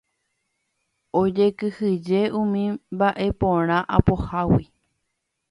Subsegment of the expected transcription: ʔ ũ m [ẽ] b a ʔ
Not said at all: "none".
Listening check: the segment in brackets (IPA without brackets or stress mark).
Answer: ĩ